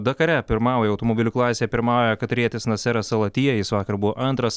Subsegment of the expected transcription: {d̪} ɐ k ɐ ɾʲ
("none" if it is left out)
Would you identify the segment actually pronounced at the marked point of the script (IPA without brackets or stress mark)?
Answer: d̪